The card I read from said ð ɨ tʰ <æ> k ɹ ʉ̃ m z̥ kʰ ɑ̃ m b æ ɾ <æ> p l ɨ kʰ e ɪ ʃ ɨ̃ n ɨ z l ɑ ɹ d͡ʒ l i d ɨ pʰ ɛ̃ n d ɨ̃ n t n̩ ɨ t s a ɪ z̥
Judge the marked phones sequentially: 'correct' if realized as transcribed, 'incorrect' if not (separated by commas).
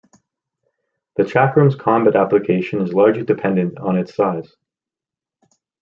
correct, correct